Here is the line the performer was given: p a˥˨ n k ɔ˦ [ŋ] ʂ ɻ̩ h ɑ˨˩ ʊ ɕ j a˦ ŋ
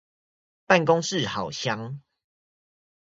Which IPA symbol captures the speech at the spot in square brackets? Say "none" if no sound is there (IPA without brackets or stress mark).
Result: ŋ